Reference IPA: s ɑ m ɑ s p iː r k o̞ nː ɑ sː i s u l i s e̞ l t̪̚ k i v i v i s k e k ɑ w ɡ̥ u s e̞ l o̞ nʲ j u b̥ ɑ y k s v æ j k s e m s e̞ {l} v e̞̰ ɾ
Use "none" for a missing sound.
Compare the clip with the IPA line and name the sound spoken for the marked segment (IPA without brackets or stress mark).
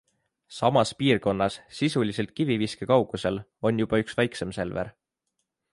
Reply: l